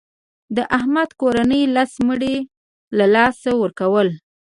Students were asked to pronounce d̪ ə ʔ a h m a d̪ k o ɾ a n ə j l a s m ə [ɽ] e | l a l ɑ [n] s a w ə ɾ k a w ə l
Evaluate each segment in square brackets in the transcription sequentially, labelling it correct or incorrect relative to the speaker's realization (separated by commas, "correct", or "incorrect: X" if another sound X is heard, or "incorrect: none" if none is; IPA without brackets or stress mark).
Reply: correct, incorrect: none